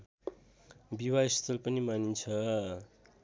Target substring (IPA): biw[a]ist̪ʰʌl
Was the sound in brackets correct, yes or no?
yes